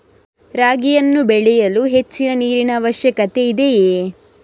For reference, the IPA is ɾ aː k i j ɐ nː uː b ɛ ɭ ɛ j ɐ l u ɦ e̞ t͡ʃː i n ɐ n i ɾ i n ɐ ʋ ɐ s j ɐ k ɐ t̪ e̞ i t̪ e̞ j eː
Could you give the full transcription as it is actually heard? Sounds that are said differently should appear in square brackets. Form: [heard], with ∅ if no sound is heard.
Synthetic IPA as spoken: ɾ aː [ɡ] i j ɐ nː [u] b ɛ ɭ ɛ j ɐ l u ɦ e̞ t͡ʃː i n ɐ n [iː] ɾ i n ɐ ʋ ɐ [ʃ] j ɐ k ɐ t̪ e̞ i [d̪] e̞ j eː